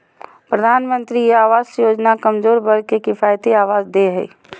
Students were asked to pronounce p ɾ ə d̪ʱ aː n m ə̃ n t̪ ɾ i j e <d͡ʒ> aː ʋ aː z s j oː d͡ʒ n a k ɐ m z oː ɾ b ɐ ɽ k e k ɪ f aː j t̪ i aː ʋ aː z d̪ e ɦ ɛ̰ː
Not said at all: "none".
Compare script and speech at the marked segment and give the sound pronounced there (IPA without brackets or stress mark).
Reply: none